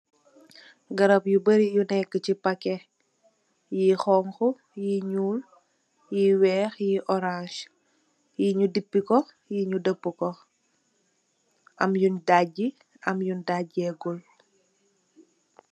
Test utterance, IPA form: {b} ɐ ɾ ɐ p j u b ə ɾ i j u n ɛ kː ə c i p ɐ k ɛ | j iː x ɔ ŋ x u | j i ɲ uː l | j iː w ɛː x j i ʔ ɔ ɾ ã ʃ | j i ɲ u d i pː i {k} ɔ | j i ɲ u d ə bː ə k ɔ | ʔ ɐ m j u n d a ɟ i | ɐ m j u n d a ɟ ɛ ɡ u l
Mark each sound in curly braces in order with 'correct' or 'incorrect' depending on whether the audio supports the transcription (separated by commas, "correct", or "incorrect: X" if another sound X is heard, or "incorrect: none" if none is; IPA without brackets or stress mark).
incorrect: ɡ, correct